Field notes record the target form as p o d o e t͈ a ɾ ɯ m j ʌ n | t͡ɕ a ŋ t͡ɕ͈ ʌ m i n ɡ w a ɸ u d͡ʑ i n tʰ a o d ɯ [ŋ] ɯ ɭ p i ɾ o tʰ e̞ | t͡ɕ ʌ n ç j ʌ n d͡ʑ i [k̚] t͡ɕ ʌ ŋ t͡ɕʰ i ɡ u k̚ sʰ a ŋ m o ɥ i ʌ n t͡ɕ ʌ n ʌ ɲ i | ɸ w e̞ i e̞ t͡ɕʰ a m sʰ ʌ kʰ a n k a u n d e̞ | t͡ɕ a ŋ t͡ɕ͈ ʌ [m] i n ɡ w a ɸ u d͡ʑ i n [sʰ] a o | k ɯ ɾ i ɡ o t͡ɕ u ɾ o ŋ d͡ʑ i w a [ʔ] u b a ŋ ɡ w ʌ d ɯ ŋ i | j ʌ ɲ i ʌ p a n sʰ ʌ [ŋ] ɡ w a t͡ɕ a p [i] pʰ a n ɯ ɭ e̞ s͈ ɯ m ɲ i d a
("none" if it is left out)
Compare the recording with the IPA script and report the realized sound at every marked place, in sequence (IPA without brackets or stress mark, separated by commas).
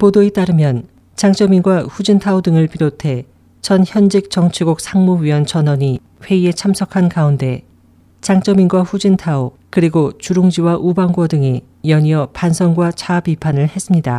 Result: ŋ, k̚, m, tʰ, ʔ, ŋ, i